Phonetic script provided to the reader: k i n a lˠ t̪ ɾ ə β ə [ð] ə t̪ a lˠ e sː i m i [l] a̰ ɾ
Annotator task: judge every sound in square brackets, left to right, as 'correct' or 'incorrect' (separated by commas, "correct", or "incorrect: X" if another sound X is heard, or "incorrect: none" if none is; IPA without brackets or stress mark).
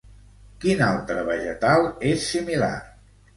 incorrect: ʒ, correct